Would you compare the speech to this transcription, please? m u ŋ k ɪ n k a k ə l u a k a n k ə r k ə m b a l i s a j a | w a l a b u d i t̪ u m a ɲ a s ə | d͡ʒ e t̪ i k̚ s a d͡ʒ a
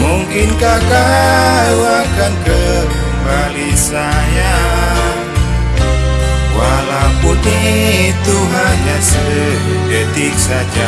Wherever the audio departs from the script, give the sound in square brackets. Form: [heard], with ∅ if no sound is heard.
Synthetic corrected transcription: m u ŋ k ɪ n k a k [a] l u a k a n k ə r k ə m b a l i s a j a | w a l a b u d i t̪ u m a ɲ a s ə | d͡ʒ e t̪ i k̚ s a d͡ʒ a